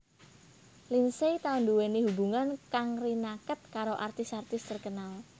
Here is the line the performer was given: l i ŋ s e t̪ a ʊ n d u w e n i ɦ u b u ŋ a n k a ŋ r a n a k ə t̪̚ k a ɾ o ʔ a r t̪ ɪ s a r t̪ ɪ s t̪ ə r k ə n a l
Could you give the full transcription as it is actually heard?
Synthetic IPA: l i n s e t̪ a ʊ n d u w e n i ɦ u b u ŋ a n k a ŋ r i n a k ə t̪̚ k a ɾ o ʔ a r t̪ ɪ s a r t̪ ɪ s t̪ ə r k ə n a l